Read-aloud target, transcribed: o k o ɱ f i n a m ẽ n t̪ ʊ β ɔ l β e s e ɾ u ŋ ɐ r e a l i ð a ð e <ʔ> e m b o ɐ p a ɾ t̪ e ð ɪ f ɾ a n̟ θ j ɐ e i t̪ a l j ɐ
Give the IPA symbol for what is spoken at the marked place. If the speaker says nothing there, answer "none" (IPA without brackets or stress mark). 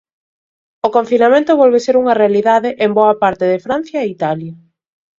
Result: ʔ